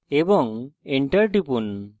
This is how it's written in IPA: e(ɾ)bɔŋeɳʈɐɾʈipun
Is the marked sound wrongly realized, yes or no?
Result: yes